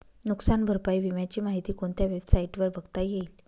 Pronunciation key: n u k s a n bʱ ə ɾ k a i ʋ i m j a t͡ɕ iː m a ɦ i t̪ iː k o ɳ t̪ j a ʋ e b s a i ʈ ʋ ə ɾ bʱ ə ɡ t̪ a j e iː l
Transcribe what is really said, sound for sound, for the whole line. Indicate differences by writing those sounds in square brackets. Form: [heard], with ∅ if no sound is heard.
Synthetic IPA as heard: n u k s a n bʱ ə ɾ [p] a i ʋ i m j a t͡ɕ iː m a ɦ i t̪ iː k o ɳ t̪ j a ʋ e b s a i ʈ ʋ ə ɾ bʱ ə ɡ t̪ a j e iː l